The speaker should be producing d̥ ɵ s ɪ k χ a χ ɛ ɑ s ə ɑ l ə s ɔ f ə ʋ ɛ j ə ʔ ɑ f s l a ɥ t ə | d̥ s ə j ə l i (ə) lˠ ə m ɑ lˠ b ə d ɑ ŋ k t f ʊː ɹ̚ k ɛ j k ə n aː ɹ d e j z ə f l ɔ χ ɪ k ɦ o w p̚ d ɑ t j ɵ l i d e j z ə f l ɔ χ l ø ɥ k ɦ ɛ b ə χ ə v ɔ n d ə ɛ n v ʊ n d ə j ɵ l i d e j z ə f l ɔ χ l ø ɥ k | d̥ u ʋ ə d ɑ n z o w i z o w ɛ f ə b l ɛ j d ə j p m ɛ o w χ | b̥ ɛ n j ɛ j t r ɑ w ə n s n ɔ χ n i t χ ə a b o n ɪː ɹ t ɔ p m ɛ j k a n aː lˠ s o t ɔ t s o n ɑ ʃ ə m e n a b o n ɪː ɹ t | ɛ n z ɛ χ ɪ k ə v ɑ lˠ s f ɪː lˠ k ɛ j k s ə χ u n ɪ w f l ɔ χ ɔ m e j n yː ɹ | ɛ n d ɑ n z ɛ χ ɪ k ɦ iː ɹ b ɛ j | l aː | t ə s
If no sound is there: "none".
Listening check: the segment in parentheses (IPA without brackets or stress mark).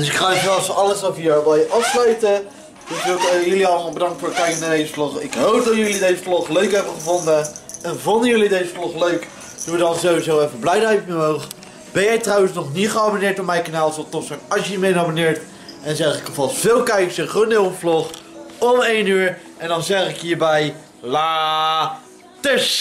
ɑ